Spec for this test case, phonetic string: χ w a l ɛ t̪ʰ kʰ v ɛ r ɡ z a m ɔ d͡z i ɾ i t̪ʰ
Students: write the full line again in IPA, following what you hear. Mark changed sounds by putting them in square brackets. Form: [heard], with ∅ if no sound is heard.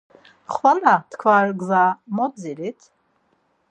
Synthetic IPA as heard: χ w a l [a] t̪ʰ kʰ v [a] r ɡ z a m ɔ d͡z i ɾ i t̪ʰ